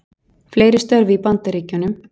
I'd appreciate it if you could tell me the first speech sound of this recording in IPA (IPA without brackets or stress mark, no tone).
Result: f